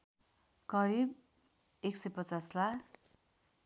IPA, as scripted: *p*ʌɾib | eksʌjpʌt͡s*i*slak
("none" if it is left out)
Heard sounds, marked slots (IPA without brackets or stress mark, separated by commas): k, a